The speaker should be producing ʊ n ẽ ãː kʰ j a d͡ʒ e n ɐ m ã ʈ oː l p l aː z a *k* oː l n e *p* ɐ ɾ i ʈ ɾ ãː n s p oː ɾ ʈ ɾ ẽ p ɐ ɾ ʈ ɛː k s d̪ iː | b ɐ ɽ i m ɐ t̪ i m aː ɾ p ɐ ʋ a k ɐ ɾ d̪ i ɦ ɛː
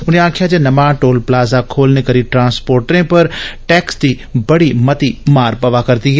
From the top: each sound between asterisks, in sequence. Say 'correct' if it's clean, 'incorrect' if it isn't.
incorrect: kʰ, incorrect: k

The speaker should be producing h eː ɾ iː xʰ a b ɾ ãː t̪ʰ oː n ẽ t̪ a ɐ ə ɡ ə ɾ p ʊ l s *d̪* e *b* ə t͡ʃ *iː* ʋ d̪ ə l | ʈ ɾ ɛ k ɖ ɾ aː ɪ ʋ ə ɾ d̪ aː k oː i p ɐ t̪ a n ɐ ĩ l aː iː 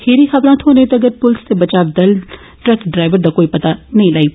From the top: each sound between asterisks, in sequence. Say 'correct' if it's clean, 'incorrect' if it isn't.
incorrect: t̪, correct, incorrect: aː

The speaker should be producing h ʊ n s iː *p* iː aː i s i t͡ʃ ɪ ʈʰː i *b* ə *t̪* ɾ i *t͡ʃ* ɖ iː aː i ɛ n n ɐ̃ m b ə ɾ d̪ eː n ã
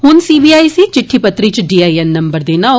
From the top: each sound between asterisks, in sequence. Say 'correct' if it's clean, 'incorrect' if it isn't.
incorrect: b, incorrect: p, correct, correct

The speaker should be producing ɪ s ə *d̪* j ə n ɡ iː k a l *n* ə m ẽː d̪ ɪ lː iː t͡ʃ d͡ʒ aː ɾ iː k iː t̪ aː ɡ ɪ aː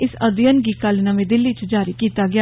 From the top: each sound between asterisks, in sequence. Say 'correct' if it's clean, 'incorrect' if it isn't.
correct, correct

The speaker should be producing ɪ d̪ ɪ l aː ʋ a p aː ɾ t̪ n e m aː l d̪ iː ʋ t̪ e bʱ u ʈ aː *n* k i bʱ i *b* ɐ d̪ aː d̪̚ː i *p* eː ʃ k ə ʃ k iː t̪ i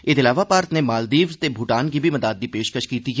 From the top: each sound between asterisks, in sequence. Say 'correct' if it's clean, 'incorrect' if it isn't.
correct, incorrect: m, correct

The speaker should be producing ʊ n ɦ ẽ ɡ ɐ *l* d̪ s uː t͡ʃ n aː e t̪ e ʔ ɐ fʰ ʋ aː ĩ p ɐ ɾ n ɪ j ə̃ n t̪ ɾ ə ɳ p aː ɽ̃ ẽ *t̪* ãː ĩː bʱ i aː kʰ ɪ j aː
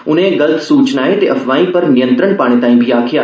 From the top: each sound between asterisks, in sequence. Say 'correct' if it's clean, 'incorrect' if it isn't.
correct, correct

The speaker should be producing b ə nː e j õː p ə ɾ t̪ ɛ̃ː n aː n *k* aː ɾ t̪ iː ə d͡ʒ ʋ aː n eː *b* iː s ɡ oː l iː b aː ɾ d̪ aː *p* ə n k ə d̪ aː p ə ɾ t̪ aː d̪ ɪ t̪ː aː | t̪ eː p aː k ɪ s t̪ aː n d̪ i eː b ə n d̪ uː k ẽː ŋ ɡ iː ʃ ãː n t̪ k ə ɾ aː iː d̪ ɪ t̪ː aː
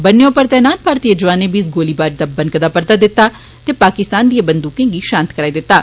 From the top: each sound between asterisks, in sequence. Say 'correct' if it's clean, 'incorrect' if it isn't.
incorrect: p, correct, incorrect: b

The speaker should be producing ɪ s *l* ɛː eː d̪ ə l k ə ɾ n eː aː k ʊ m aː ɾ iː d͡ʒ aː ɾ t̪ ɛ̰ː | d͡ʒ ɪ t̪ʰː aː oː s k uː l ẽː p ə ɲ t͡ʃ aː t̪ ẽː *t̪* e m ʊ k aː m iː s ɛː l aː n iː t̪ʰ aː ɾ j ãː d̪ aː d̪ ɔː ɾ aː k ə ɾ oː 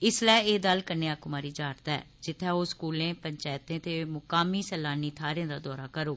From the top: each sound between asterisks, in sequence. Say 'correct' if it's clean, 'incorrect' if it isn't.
correct, correct

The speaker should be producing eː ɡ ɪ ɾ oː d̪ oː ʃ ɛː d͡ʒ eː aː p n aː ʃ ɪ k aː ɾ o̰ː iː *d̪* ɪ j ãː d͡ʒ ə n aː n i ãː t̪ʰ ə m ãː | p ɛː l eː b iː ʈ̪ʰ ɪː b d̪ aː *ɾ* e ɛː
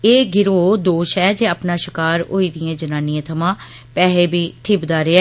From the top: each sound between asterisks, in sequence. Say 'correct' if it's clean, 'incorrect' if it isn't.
correct, correct

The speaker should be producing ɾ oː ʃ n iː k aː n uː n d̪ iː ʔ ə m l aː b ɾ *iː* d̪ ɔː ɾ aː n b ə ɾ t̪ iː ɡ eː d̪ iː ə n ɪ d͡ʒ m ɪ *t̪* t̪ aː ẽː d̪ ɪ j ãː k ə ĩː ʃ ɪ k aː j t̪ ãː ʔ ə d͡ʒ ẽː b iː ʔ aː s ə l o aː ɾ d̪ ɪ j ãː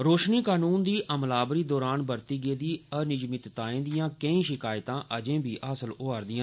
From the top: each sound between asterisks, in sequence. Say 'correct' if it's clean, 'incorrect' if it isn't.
correct, correct

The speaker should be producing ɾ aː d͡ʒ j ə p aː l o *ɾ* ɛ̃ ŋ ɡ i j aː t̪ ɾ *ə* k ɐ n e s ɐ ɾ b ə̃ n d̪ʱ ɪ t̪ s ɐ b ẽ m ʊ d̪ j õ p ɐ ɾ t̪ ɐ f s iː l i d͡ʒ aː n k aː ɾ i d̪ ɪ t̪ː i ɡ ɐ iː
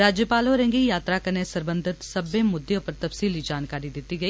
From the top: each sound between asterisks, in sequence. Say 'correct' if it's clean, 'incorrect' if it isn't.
correct, incorrect: a

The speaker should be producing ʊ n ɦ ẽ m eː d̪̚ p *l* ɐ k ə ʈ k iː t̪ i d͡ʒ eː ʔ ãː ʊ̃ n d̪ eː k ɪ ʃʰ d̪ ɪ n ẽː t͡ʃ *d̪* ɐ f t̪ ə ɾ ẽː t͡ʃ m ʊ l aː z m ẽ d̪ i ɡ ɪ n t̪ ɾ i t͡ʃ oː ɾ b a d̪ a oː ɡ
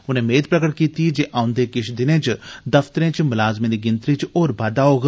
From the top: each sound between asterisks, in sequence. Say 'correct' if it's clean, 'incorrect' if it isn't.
incorrect: ɾ, correct

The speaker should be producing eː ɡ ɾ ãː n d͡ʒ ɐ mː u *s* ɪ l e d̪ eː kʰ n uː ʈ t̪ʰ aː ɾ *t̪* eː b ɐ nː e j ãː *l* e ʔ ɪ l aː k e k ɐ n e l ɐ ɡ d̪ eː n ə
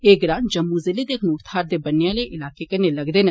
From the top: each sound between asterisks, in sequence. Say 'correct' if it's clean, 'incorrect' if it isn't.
incorrect: z, incorrect: d̪, correct

